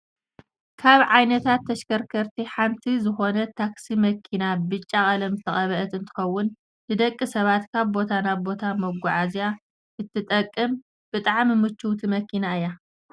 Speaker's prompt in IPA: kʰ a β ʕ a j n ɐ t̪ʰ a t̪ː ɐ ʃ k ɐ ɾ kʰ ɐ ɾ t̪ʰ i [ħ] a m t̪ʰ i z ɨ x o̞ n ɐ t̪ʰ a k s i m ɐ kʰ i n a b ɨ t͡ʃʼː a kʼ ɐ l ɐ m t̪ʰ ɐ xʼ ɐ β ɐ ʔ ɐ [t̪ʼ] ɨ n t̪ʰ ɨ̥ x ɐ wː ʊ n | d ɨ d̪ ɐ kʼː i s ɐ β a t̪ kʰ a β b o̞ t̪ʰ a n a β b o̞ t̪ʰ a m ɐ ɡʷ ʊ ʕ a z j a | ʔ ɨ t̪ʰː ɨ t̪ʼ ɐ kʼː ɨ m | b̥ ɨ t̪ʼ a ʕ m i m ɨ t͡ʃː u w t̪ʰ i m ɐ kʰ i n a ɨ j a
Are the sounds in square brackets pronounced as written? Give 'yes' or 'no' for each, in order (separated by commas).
yes, no